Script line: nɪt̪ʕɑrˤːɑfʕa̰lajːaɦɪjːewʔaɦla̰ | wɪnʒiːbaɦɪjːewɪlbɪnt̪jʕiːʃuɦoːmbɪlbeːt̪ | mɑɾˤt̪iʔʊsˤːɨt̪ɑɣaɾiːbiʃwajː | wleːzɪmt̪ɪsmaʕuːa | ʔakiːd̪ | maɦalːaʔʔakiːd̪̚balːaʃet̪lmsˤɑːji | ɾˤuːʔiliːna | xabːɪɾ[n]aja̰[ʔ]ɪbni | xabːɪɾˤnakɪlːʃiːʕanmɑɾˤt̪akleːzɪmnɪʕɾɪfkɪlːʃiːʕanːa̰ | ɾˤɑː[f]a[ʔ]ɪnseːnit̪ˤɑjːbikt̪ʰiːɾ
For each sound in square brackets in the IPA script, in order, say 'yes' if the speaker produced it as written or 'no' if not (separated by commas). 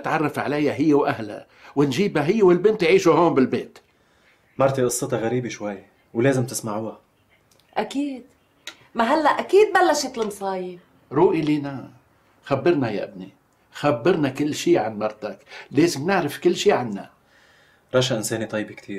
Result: yes, yes, no, yes